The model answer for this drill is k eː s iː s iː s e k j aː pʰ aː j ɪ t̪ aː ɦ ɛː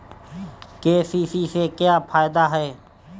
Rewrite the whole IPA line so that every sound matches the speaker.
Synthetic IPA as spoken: k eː s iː s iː s e k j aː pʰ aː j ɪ d̪ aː ɦ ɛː